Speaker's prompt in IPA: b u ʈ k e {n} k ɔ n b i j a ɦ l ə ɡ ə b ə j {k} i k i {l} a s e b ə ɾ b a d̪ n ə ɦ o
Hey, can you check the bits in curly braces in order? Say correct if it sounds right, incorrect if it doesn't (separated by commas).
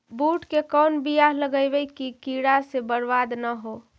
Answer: incorrect, correct, incorrect